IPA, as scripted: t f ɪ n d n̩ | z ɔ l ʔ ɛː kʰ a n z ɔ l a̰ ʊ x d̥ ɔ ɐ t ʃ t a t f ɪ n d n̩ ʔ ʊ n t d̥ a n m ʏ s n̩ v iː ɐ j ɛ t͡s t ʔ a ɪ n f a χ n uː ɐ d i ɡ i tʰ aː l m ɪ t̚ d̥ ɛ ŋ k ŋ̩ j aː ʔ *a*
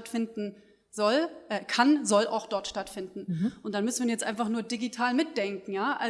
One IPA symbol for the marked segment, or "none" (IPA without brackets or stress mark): a